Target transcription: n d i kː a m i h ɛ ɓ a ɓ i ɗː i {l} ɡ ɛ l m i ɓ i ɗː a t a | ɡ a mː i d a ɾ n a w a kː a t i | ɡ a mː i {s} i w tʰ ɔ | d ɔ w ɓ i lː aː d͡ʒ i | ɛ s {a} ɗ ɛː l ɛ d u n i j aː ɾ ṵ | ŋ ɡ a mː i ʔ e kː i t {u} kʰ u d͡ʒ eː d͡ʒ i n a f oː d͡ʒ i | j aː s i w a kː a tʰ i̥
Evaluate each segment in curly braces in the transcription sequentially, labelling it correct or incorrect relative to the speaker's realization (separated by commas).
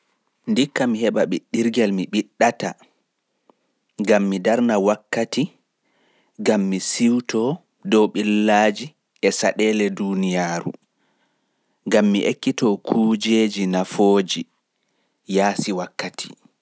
incorrect, correct, correct, incorrect